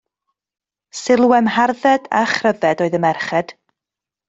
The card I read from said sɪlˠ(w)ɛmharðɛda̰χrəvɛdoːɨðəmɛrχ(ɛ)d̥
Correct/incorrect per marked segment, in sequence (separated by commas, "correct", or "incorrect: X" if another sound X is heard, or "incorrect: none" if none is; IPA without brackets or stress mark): correct, correct